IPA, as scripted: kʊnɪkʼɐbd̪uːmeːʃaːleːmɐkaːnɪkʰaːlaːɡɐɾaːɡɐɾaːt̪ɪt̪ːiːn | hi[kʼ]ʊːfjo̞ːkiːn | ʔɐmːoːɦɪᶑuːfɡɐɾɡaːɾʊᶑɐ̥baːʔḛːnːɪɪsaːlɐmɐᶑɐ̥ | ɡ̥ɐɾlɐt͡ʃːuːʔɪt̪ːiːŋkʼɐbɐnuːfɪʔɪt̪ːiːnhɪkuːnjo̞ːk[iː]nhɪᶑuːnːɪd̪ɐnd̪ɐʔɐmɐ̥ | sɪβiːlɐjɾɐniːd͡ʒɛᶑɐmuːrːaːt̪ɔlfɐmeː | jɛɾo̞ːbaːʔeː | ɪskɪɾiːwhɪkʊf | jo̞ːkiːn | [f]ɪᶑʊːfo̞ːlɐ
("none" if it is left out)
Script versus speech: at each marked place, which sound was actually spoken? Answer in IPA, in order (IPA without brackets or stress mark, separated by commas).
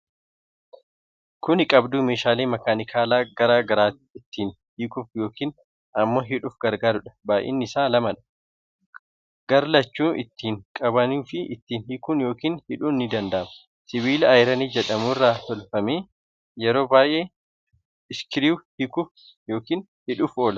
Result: k, iː, h